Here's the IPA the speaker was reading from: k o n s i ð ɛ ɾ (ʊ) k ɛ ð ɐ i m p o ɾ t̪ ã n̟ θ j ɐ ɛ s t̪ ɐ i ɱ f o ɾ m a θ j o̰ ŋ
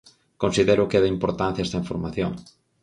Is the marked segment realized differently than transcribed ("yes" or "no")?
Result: no